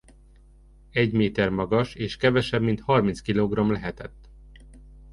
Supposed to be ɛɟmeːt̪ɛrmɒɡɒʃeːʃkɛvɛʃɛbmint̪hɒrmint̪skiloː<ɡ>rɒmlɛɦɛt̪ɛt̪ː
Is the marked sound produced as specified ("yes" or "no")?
yes